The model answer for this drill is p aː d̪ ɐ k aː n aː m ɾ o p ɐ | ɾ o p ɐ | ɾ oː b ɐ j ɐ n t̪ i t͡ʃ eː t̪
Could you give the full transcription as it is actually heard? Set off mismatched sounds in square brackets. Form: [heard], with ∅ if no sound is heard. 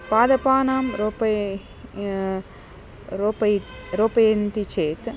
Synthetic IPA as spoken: p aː d̪ ɐ [p] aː n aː m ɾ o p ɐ | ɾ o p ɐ | ɾ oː [p] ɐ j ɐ n t̪ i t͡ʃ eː t̪